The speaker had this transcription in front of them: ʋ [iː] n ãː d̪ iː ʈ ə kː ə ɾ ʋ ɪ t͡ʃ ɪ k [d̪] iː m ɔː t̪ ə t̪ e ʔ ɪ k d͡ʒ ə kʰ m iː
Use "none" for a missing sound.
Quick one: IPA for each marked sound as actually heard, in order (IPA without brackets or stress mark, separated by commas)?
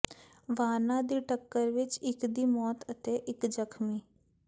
aː, d̪